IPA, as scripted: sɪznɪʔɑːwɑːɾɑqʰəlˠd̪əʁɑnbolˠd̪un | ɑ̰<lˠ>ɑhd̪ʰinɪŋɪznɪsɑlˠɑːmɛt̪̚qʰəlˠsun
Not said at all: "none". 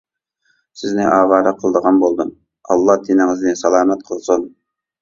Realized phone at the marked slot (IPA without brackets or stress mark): lˠː